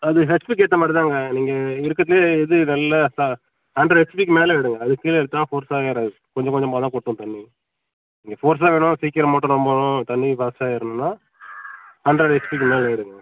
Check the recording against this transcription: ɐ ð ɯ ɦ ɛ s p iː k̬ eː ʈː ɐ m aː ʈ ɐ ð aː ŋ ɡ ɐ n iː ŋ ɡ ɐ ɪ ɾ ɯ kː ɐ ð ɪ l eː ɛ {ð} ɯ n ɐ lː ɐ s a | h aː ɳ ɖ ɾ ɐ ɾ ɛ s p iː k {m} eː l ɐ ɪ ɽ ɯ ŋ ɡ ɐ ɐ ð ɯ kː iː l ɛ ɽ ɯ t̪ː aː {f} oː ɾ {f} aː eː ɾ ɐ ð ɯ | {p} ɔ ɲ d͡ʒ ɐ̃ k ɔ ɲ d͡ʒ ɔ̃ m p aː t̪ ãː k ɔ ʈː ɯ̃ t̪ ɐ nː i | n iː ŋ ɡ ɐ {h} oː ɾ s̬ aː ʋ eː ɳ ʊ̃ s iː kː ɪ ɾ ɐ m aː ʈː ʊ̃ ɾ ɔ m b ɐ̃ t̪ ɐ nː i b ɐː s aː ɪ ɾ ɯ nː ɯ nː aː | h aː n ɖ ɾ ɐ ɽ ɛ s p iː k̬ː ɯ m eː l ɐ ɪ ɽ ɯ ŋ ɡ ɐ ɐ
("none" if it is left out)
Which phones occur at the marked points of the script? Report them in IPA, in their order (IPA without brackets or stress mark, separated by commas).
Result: ð, m, f, s, k, f